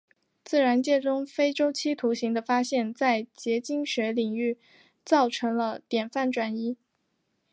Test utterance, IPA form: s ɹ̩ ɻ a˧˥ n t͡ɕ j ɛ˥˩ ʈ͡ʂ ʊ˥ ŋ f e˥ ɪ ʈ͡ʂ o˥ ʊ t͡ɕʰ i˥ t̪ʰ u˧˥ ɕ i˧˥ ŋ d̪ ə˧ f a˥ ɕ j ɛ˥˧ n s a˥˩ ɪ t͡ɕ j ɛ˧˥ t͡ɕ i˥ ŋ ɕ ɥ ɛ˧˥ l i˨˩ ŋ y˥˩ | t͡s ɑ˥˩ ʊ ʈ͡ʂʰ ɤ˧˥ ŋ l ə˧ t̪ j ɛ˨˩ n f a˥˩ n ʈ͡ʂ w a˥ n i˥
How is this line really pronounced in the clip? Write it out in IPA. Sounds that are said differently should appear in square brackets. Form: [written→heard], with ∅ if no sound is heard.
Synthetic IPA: [s→t͡s] ɹ̩ ɻ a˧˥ n t͡ɕ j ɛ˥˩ ʈ͡ʂ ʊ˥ ŋ f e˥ ɪ ʈ͡ʂ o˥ ʊ t͡ɕʰ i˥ t̪ʰ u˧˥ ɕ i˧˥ ŋ d̪ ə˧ f a˥ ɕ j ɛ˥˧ n [s→t͡s] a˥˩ ɪ t͡ɕ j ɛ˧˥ t͡ɕ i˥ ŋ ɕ ɥ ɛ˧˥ l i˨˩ ŋ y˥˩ | t͡s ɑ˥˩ ʊ ʈ͡ʂʰ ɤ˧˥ ŋ l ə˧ t̪ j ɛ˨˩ n f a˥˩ n ʈ͡ʂ w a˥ n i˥